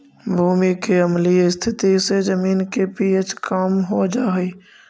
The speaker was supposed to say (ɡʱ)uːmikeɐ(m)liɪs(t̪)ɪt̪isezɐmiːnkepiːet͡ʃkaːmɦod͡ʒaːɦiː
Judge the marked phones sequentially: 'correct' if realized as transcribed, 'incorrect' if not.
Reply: incorrect: bʱ, correct, incorrect: t̪ʰ

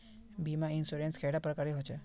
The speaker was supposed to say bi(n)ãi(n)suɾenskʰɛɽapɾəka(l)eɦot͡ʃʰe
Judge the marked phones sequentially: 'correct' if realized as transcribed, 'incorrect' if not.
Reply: incorrect: m, correct, incorrect: ɾ

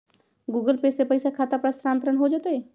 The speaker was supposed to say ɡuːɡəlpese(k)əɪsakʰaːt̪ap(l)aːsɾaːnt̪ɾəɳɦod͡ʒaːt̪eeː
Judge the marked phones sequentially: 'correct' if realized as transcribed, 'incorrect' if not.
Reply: incorrect: p, incorrect: ɾ

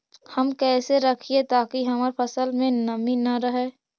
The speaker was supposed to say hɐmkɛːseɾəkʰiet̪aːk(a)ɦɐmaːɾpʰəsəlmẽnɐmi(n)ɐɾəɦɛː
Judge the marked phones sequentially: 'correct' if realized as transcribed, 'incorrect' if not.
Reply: incorrect: i, correct

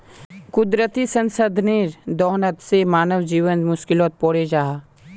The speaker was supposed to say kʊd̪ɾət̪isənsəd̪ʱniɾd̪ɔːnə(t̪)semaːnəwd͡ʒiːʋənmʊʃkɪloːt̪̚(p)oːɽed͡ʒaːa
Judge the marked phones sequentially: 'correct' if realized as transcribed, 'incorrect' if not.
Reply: correct, correct

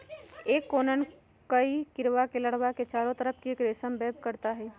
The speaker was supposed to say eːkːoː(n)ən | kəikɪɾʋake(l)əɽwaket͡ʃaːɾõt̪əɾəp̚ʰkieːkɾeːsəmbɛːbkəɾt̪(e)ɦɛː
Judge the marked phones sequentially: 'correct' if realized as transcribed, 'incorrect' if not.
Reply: correct, correct, incorrect: a

